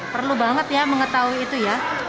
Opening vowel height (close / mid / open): mid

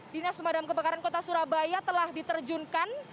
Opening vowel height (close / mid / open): close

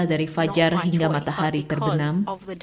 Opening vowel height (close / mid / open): open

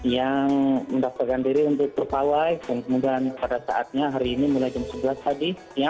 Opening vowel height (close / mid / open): open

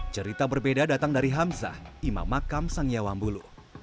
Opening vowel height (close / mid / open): mid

